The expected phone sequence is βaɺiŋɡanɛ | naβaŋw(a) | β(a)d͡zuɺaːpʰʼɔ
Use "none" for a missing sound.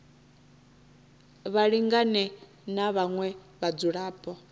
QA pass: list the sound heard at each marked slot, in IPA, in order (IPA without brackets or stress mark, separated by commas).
ɛ, a